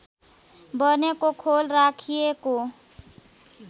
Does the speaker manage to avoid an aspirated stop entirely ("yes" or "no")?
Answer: no